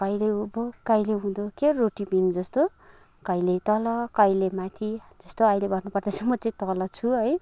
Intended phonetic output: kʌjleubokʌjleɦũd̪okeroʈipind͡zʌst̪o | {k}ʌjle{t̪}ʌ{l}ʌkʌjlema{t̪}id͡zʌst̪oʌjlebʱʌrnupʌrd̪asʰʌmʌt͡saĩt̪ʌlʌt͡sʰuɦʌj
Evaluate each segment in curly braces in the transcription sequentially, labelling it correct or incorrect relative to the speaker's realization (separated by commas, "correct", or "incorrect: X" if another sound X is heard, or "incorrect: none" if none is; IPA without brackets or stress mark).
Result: correct, correct, correct, incorrect: t̪ʰ